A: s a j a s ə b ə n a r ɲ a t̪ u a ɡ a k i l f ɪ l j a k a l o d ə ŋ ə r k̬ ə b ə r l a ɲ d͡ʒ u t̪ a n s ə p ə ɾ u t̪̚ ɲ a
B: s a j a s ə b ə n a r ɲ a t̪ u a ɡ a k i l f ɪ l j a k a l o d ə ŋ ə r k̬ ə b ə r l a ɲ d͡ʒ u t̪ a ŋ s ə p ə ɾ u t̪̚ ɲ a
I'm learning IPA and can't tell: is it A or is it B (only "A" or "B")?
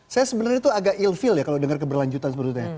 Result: A